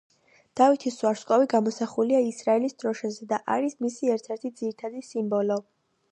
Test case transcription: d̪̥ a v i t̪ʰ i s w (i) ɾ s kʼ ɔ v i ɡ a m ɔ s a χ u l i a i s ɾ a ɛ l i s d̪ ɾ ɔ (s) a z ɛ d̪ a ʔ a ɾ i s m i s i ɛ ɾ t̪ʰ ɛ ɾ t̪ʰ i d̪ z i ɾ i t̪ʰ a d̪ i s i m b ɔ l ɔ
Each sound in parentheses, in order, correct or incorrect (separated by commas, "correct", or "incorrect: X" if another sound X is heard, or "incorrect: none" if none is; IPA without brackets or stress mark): incorrect: a, incorrect: ʃ